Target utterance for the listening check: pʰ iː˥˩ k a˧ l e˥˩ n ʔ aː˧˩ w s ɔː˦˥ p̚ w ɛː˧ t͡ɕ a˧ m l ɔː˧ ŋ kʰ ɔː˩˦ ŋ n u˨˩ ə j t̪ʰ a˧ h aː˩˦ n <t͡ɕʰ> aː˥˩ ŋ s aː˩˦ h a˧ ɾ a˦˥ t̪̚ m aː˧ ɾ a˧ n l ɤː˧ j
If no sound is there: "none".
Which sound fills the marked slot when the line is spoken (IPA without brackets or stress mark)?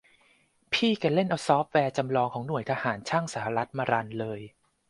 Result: t͡ɕʰ